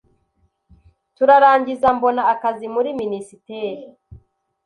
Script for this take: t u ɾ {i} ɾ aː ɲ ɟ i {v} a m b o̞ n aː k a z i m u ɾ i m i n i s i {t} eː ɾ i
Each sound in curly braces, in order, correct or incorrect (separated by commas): incorrect, incorrect, correct